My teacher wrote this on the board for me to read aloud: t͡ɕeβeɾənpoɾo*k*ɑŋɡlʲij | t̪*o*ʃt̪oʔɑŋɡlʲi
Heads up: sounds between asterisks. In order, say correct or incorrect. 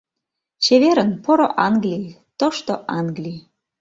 incorrect: ʔ, correct

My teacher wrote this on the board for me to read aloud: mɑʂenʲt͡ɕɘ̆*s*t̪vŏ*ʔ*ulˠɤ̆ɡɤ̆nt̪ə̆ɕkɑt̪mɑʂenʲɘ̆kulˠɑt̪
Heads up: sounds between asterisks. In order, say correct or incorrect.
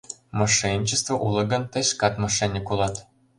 correct, correct

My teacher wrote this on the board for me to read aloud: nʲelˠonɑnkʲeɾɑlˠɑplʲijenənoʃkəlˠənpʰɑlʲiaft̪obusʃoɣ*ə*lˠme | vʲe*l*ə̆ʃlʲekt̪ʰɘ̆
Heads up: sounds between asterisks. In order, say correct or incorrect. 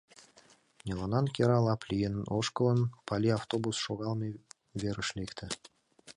incorrect: ɑ, incorrect: ɾ

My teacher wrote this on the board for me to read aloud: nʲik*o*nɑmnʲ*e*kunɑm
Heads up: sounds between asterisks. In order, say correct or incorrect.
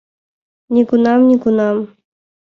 incorrect: u, incorrect: i

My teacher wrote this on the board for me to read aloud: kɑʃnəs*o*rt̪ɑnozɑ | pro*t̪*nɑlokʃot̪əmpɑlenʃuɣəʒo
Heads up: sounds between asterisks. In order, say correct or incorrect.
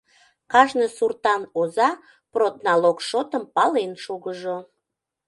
incorrect: u, correct

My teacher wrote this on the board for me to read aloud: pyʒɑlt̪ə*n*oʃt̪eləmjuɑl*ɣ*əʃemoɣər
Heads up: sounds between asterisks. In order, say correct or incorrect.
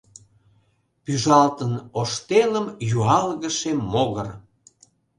correct, correct

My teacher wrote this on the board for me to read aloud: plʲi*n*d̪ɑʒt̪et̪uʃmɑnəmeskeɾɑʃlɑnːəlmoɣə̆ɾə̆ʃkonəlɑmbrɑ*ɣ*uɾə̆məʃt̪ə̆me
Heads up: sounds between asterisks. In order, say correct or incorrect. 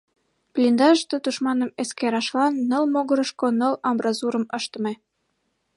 correct, incorrect: z

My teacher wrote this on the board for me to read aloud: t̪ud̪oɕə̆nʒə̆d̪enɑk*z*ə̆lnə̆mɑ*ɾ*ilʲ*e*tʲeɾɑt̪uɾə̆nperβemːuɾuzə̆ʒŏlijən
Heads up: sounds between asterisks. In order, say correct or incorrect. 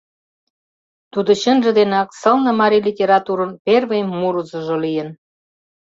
incorrect: s, correct, incorrect: i

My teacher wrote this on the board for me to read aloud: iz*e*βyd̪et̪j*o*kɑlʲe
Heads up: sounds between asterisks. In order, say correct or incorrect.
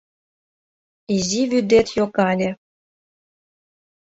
incorrect: i, correct

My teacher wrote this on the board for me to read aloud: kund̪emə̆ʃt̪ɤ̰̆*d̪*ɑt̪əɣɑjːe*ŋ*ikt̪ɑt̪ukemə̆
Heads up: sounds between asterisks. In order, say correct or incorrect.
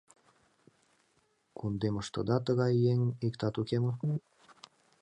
correct, correct

